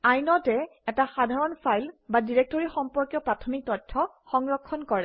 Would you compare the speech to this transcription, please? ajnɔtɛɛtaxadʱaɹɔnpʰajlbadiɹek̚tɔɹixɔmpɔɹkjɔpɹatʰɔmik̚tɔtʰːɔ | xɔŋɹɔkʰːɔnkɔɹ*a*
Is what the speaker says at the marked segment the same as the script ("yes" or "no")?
no